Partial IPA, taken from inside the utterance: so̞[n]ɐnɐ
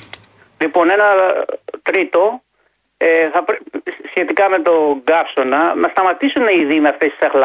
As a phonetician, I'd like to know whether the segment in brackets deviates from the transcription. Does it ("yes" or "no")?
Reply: no